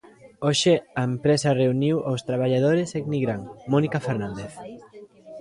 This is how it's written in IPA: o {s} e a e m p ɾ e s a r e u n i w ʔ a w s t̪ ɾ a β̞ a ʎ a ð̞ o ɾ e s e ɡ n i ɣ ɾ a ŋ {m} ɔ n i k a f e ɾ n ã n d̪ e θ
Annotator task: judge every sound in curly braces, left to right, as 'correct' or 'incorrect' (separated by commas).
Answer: incorrect, correct